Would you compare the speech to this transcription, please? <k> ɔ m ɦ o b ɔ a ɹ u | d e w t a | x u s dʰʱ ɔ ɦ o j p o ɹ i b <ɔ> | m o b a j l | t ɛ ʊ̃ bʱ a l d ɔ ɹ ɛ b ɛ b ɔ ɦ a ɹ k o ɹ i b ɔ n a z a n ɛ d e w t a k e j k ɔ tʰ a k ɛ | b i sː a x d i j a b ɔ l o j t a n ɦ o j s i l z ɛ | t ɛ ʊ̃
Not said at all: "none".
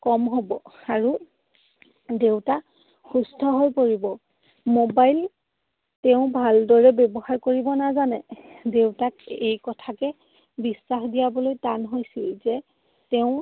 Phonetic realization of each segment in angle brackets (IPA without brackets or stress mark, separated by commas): k, ɔ